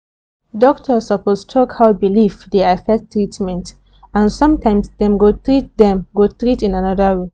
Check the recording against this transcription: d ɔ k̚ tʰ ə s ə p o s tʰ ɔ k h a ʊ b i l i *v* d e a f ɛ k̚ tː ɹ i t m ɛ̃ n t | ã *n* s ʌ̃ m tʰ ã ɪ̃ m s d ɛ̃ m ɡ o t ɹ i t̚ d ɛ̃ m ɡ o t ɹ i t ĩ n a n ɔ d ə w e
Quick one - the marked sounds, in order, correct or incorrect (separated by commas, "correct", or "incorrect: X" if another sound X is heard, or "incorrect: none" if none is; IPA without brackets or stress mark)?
incorrect: f, correct